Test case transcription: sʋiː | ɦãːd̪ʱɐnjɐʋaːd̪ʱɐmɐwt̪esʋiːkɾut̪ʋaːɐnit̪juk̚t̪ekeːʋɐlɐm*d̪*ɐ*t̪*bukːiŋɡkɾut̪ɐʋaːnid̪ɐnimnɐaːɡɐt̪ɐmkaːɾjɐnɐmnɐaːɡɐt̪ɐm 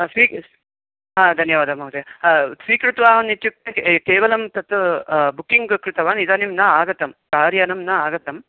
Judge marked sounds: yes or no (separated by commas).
no, yes